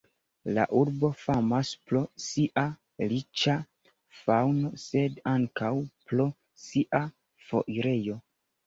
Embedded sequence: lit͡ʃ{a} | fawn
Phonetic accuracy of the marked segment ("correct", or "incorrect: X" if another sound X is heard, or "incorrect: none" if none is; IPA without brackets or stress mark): correct